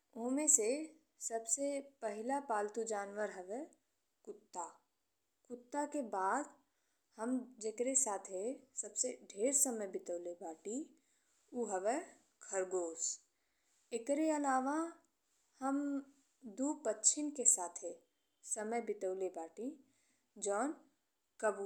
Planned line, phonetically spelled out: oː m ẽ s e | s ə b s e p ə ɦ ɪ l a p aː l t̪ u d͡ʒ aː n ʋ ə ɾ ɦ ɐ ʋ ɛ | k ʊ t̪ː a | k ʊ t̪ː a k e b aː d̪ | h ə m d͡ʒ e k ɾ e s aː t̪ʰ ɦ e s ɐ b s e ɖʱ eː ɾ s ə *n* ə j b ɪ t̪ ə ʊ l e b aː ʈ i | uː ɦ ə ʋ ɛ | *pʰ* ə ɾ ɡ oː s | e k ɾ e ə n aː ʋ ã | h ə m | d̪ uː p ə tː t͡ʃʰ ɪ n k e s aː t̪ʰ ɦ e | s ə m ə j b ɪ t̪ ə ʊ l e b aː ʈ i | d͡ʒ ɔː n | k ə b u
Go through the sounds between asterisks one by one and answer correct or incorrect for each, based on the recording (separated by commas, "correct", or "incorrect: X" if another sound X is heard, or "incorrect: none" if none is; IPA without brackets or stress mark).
incorrect: m, incorrect: kʰ